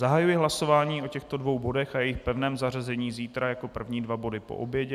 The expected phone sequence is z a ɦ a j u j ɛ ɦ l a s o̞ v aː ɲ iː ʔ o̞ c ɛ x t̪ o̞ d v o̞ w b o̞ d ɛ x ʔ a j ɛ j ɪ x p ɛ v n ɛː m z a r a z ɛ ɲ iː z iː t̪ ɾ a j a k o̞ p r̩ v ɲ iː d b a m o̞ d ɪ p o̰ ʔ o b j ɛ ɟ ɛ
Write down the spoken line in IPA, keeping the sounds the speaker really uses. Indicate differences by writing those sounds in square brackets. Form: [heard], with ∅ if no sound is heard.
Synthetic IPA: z a ɦ a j u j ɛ ɦ l a s o̞ v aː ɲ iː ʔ o̞ c ɛ x t̪ o̞ d v o̞ w b o̞ d ɛ x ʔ a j ɛ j ɪ x p ɛ v n ɛː m z a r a z ɛ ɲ iː z iː t̪ ɾ a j a k o̞ p r̩ v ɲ iː d [v] a [b] o̞ d ɪ p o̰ ʔ o b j ɛ ɟ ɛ